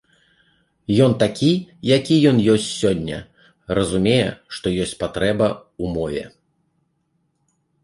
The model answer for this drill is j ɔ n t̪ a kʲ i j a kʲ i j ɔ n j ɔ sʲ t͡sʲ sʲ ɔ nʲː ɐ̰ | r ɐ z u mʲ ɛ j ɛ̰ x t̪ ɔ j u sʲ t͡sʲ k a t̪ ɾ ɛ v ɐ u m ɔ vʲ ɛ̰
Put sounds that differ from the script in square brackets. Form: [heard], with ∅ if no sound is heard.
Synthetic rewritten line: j ɔ n t̪ a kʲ i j a kʲ i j ɔ n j ɔ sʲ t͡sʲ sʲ ɔ nʲː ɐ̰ | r ɐ z u mʲ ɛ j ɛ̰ [ʂ] t̪ ɔ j [ɔ] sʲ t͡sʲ [p] a t̪ ɾ ɛ [b] ɐ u m ɔ vʲ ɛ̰